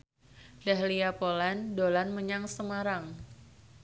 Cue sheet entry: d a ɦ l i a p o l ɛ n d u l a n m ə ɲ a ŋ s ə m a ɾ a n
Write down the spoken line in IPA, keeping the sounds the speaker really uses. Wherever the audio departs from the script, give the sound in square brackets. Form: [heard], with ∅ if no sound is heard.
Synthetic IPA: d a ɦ l i a p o l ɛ n d [o] l a n m ə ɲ a ŋ s ə m a ɾ a [ŋ]